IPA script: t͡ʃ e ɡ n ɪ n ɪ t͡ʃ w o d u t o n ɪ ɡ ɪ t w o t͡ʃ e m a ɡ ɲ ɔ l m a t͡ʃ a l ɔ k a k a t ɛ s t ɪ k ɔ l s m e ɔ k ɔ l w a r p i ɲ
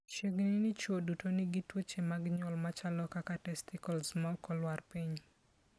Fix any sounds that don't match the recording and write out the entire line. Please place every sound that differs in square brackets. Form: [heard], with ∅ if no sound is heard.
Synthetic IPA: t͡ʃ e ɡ n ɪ n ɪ t͡ʃ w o d u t o n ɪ ɡ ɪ t w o t͡ʃ e m a ɡ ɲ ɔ l m a t͡ʃ a l ɔ k a k a t ɛ s t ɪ k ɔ l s m [a] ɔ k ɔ l w a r p i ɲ